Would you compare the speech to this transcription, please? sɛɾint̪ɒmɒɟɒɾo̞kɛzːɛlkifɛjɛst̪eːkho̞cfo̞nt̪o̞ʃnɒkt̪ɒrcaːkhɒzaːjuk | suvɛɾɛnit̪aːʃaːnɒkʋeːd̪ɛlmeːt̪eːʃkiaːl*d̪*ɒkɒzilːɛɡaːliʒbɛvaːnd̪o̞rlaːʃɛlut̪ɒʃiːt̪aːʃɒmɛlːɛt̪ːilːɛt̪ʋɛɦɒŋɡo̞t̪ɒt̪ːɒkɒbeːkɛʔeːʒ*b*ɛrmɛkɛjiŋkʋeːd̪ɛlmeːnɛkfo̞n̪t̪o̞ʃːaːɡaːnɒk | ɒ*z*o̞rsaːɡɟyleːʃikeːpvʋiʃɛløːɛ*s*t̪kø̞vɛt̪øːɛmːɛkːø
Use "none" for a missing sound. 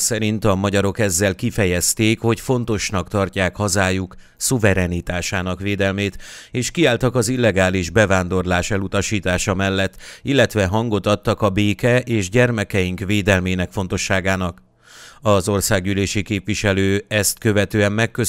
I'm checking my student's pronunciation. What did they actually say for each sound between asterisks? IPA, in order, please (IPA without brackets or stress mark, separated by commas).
t̪, ɟ, z, s